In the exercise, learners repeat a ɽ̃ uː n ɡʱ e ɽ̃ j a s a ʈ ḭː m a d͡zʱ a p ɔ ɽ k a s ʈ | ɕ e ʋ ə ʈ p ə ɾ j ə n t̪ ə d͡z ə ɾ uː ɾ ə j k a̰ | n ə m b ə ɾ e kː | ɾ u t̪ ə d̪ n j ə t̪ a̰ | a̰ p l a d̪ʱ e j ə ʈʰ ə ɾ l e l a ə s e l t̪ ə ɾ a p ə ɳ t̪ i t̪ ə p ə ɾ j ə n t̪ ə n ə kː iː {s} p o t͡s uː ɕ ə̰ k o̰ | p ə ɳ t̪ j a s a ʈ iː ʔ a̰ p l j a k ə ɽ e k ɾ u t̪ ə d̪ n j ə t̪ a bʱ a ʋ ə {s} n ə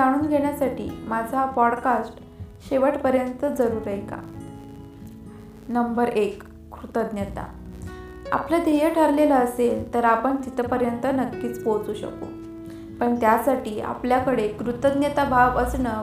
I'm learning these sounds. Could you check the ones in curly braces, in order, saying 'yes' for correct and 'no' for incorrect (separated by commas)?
no, yes